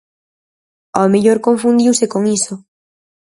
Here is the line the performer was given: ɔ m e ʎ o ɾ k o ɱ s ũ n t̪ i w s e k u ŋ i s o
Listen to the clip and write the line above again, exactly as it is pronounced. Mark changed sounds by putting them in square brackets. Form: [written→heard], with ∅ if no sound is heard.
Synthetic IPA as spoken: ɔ m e ʎ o ɾ k o ɱ [s→f] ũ n [t̪→d̪] i w s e k [u→o] ŋ i s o